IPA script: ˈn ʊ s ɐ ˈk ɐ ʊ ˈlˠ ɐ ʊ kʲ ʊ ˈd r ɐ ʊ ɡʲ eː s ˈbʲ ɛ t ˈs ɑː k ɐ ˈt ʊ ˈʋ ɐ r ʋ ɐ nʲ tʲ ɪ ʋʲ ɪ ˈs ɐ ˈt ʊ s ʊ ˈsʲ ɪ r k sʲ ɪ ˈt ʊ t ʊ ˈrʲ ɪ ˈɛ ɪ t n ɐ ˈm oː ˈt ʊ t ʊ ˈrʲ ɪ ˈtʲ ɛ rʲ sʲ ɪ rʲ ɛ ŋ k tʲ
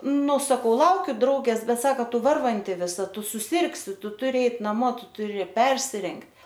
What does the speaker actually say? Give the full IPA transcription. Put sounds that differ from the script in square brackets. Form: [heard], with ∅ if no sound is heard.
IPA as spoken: ˈn ʊ s ɐ ˈk ɐ ʊ ˈlˠ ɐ ʊ kʲ ʊ ˈd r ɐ ʊ ɡʲ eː s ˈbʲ ɛ t ˈs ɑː k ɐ ˈt ʊ ˈʋ ɐ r ʋ ɐ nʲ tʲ ɪ ʋʲ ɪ ˈs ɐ ˈt ʊ s ʊ ˈsʲ ɪ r k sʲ ɪ ˈt ʊ t ʊ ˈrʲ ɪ ˈɛ ɪ t n ɐ ˈm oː ˈt ʊ t ʊ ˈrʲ ɪ [ˈpʲ] ɛ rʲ sʲ ɪ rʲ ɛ ŋ k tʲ